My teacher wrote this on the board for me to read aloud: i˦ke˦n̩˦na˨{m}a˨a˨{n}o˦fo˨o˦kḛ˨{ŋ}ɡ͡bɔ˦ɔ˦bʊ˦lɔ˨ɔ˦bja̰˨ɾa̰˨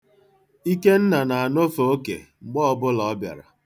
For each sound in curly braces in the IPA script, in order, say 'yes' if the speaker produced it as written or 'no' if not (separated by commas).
no, yes, no